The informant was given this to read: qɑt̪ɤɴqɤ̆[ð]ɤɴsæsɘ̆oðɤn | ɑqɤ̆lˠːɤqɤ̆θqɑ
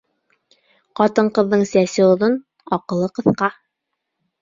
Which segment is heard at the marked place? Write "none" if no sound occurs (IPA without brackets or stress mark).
ðː